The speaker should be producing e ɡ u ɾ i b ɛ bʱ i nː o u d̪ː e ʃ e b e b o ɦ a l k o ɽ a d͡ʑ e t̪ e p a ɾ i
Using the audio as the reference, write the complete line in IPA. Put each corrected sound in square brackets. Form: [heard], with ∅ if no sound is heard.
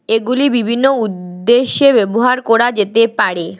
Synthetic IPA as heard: e ɡ u [l] i b [i] bʱ i nː o u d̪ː e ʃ e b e b o ɦ a [ɾ] k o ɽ a d͡ʑ e t̪ e p a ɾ [e]